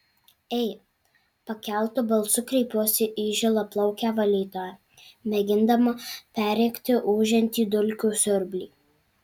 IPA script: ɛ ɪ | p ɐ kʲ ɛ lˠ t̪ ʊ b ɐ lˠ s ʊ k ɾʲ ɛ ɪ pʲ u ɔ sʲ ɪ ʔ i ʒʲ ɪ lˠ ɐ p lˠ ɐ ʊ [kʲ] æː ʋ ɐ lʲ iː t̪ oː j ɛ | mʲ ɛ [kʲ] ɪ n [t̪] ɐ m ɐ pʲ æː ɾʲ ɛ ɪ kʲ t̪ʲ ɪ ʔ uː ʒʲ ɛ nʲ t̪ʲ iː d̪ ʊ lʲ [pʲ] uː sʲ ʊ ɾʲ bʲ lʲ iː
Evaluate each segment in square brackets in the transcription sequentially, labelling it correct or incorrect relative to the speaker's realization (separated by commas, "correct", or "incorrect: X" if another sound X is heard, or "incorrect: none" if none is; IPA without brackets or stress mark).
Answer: correct, incorrect: ɡʲ, incorrect: d̪, incorrect: kʲ